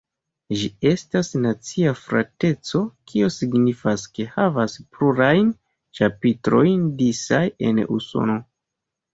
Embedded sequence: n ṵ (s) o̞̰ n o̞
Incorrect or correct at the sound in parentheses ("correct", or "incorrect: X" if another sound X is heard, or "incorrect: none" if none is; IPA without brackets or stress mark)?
correct